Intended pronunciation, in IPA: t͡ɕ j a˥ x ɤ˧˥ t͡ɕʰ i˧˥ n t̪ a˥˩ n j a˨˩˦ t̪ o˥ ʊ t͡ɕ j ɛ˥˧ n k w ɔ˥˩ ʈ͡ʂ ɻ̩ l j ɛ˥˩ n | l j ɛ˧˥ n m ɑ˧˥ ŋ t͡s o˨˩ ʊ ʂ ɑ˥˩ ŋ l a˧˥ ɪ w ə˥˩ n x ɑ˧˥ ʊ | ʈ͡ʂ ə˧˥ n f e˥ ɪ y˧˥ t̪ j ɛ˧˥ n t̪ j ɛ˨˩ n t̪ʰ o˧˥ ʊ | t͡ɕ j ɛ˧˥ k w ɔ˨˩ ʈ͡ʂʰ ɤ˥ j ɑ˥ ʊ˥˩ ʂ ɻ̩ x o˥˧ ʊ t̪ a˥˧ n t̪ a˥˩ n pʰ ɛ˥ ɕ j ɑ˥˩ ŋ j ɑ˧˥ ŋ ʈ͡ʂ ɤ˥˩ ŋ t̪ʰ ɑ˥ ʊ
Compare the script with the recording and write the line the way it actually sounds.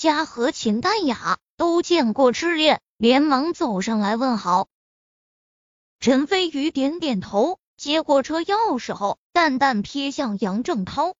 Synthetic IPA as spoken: t͡ɕ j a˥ x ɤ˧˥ t͡ɕʰ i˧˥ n t̪ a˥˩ n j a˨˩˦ t̪ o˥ ʊ t͡ɕ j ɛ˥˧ n k w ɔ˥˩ ʈ͡ʂ ɻ̩ l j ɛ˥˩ n | l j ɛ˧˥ n m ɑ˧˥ ŋ t͡s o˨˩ ʊ ʂ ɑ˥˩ ŋ l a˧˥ ɪ w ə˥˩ n x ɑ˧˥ ʊ | ʈ͡ʂʰ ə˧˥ n f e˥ ɪ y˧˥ t̪ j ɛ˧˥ n t̪ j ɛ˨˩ n t̪ʰ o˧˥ ʊ | t͡ɕ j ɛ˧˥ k w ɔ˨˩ ʈ͡ʂʰ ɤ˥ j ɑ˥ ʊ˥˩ ʂ ɻ̩ x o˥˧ ʊ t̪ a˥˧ n t̪ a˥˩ n pʰ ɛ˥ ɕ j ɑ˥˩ ŋ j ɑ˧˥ ŋ ʈ͡ʂ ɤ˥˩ ŋ t̪ʰ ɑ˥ ʊ